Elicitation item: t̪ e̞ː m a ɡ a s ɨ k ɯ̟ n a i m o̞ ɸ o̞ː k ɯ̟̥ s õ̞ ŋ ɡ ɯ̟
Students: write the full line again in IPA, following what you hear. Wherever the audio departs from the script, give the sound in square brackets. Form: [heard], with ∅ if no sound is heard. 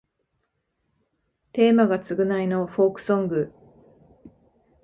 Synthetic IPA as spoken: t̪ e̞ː m a ɡ a [t͡s] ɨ [ɡ] ɯ̟ n a i [n] o̞ ɸ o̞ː k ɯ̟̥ s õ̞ ŋ ɡ ɯ̟

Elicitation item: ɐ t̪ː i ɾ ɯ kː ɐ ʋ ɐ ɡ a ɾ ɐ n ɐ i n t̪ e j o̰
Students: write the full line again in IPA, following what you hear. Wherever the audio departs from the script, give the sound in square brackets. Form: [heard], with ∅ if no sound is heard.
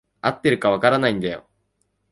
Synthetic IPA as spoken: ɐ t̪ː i ɾ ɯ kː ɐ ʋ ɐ [k] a ɾ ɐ n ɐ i n [d̪] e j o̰

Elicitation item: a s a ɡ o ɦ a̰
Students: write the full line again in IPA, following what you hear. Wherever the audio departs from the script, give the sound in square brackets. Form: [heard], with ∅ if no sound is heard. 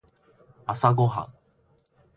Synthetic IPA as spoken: a s a ɡ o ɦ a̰

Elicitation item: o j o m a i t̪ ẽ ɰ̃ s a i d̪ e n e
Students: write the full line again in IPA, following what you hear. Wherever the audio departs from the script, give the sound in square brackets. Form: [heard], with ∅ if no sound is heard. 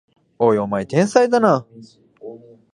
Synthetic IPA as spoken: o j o m a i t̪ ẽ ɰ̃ s a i d̪ [a] n [a]

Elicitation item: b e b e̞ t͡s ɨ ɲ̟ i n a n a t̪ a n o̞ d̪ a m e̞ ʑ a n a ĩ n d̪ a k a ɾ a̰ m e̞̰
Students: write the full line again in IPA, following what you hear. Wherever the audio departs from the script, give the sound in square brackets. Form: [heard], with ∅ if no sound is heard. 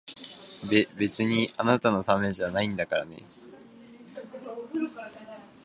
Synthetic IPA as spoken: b e b e̞ t͡s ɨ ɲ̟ i [∅] a n a t̪ a n o̞ [t̪] a m e̞ ʑ a n a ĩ n d̪ a k a ɾ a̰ [n] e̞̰

